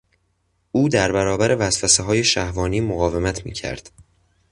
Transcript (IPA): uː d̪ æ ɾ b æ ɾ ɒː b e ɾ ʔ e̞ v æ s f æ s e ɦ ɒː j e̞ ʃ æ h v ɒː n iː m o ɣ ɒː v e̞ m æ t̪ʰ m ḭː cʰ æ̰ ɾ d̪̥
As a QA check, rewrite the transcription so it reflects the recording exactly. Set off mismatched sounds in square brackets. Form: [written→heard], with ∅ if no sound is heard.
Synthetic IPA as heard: uː d̪ æ ɾ b æ ɾ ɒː b [e→æ] ɾ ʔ e̞ v æ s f æ s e ɦ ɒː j e̞ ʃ æ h v ɒː n iː m o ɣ ɒː v e̞ m æ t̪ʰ m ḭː cʰ æ̰ ɾ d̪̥

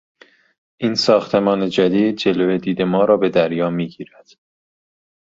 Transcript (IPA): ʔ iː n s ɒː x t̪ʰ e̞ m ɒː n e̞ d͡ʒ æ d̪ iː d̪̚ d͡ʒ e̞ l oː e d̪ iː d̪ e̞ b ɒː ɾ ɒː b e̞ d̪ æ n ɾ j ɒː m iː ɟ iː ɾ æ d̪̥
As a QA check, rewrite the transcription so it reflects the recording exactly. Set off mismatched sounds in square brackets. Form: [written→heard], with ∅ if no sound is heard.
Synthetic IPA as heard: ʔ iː n s ɒː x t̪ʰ e̞ m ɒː n e̞ d͡ʒ æ d̪ iː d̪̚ d͡ʒ e̞ l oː e d̪ iː d̪ e̞ [b→m] ɒː ɾ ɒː b e̞ d̪ æ [n→∅] ɾ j ɒː m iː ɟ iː ɾ æ d̪̥

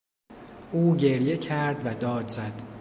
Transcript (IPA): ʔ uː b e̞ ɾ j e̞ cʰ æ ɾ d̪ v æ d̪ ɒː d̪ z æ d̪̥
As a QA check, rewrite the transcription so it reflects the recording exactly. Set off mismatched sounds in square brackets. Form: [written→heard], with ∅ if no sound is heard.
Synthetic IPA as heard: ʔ uː [b→ɟ] e̞ ɾ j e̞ cʰ æ ɾ d̪ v æ d̪ ɒː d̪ z æ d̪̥

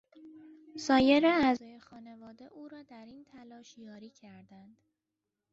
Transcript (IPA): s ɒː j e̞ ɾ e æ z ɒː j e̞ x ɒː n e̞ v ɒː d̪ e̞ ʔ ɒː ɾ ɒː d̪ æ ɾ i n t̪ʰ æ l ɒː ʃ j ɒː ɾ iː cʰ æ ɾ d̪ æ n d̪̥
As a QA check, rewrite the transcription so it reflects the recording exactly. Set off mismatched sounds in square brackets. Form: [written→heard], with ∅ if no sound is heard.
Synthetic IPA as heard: s ɒː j e̞ ɾ e æ z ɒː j e̞ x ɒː n e̞ v ɒː d̪ e̞ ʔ [ɒː→uː] ɾ ɒː d̪ æ ɾ i n t̪ʰ æ l ɒː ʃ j ɒː ɾ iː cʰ æ ɾ d̪ æ n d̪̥

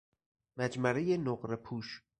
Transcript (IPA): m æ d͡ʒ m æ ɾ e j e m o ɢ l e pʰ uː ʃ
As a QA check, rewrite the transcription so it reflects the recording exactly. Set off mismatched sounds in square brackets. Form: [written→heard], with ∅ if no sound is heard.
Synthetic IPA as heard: m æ d͡ʒ m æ ɾ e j e [m→n] o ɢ [l→ɾ] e pʰ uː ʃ

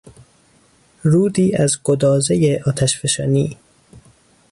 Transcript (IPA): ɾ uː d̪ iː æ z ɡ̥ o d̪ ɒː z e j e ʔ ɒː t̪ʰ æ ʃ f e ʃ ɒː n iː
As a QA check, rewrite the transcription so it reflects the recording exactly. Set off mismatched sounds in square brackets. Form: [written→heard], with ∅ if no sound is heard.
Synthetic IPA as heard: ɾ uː d̪ iː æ z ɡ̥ o d̪ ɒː z e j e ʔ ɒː t̪ʰ æ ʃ f e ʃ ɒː n iː

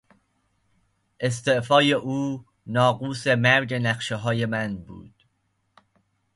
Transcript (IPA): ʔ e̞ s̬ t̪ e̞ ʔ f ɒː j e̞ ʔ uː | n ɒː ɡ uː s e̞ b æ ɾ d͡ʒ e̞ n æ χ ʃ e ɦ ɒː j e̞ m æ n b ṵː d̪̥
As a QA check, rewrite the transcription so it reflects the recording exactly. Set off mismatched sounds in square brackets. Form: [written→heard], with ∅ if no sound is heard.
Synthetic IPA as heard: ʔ e̞ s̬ t̪ e̞ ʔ f ɒː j e̞ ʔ uː | n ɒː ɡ uː s e̞ [b→m] æ ɾ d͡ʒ e̞ n æ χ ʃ e ɦ ɒː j e̞ m æ n b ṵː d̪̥

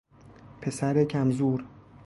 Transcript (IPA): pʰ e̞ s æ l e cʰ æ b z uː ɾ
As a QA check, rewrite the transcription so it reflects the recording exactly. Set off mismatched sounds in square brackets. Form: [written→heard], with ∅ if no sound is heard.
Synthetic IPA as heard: pʰ e̞ s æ [l→ɾ] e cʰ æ [b→m] z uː ɾ

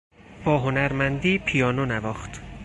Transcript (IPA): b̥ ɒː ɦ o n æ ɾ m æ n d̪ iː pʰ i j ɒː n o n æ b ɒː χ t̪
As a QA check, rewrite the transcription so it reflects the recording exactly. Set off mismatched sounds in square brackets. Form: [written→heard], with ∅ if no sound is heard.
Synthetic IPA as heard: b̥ ɒː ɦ o n æ ɾ m æ n d̪ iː pʰ i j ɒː n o n æ [b→v] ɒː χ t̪

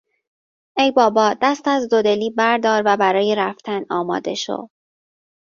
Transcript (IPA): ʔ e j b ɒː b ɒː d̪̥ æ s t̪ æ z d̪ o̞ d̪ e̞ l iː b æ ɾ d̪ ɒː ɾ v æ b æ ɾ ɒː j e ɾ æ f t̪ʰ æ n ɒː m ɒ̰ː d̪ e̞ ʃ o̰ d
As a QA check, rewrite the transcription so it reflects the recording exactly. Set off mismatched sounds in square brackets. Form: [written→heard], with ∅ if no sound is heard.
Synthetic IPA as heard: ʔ e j b ɒː b ɒː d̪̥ æ s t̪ æ z d̪ o̞ d̪ e̞ l iː b æ ɾ d̪ ɒː ɾ v æ b æ ɾ ɒː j e ɾ æ f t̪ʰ æ n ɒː m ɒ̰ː d̪ e̞ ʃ o̰ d

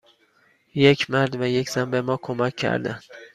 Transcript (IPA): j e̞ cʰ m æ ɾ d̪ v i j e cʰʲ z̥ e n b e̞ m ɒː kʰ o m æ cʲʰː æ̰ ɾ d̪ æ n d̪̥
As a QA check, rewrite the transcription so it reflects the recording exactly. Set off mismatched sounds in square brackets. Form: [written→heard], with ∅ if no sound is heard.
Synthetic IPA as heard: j e̞ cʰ m æ ɾ d̪ v [i→æ] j e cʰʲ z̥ [e→æ] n b e̞ m ɒː kʰ o m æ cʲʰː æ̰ ɾ d̪ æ n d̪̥

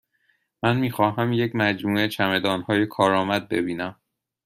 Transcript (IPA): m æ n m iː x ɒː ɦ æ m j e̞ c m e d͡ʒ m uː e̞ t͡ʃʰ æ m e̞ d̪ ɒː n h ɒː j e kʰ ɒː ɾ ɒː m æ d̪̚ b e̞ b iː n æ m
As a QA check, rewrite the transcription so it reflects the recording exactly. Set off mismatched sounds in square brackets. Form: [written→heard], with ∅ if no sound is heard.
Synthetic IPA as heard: m æ n m iː x ɒː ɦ æ m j e̞ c m [e→æ] d͡ʒ m uː e̞ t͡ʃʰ æ m e̞ d̪ ɒː n h ɒː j e kʰ ɒː ɾ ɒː m æ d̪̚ b e̞ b iː n æ m

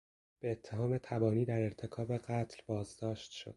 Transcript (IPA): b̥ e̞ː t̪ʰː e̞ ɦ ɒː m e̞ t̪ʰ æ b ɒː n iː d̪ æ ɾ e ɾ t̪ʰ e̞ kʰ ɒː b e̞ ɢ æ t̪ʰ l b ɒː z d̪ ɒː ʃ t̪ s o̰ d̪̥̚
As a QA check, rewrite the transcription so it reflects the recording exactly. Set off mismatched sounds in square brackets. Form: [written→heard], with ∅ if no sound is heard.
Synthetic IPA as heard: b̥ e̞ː t̪ʰː e̞ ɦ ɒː m e̞ t̪ʰ æ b ɒː n iː d̪ æ ɾ e ɾ t̪ʰ e̞ kʰ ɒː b e̞ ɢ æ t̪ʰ l b ɒː z d̪ ɒː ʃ t̪ [s→ʃ] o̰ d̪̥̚

